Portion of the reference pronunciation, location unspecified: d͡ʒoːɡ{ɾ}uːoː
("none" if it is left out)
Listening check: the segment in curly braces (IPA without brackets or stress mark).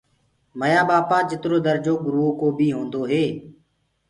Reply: ɾ